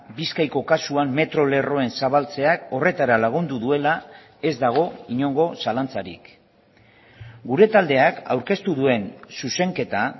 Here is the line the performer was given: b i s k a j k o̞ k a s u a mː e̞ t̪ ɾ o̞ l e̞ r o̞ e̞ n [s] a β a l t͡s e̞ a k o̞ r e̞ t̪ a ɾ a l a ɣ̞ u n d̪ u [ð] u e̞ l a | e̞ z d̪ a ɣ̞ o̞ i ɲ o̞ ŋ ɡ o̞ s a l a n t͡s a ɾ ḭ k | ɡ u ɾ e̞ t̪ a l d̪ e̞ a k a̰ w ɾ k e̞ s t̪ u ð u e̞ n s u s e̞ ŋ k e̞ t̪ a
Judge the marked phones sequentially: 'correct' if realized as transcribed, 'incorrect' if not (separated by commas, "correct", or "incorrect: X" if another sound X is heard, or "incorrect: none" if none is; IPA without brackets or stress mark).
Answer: correct, correct